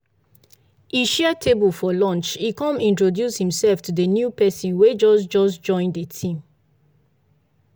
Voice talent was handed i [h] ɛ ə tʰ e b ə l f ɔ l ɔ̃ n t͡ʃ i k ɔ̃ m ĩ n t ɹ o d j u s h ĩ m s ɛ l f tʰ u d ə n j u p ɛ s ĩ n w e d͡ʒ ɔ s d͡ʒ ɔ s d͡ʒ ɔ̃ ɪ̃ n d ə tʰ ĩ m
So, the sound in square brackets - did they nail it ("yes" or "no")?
no